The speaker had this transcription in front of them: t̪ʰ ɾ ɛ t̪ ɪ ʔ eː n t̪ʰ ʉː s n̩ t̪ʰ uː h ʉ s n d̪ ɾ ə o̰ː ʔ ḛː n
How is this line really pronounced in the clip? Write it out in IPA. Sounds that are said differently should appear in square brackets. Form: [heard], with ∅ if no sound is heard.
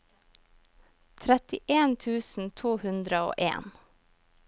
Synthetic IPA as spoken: t̪ʰ ɾ ɛ t̪ ɪ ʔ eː n t̪ʰ ʉː s n̩ t̪ʰ uː h ʉ [∅] n d̪ ɾ ə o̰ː ʔ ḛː n